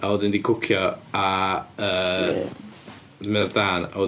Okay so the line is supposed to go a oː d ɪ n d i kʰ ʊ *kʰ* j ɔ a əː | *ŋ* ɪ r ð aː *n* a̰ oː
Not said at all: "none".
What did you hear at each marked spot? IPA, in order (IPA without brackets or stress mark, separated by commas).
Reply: kʰ, m, n